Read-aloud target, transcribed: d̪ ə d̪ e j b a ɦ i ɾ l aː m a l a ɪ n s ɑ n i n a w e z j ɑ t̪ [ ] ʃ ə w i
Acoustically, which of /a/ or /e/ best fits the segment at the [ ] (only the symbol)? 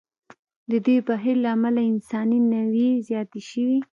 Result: e